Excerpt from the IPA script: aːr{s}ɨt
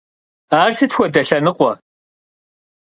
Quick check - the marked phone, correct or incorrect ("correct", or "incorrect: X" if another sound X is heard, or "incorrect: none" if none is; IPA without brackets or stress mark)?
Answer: correct